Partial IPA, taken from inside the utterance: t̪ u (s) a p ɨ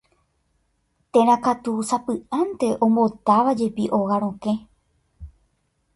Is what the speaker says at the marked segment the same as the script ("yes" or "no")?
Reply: yes